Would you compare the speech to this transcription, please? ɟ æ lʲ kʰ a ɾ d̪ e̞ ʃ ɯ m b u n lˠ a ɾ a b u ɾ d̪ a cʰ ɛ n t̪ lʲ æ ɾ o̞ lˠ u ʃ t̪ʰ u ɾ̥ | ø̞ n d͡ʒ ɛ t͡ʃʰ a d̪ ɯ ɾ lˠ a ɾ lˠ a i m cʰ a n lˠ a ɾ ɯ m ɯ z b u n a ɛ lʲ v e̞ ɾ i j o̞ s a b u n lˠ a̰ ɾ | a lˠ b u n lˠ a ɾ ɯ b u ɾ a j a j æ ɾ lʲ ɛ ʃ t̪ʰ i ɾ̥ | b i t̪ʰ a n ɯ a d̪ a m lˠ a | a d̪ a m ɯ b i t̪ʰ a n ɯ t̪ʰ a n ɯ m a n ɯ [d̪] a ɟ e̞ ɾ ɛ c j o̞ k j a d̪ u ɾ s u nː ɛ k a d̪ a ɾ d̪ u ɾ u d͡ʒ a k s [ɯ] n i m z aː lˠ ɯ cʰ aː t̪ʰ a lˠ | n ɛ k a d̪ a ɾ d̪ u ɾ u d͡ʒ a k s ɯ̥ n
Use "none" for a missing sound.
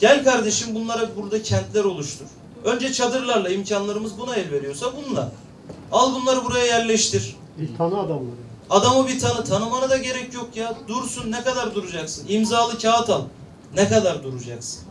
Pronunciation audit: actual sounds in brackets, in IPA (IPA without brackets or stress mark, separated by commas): d̪, ɯ